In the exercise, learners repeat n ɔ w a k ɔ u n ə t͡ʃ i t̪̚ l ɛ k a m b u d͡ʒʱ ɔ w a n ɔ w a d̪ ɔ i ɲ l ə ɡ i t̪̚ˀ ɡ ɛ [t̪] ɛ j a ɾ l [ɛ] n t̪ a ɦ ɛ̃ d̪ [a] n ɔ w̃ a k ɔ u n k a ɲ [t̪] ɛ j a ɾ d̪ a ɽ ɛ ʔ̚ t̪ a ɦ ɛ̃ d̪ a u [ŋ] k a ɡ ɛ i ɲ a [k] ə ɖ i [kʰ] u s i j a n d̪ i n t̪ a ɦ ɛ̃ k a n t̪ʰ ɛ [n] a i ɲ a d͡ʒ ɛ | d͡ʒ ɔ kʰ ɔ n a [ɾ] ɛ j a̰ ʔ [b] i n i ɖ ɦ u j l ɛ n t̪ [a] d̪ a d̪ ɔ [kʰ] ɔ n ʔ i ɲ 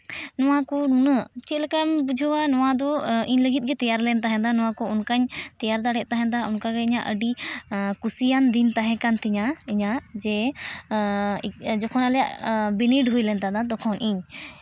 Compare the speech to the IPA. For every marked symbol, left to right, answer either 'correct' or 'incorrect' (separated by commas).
correct, correct, correct, correct, incorrect, incorrect, incorrect, incorrect, incorrect, correct, correct, correct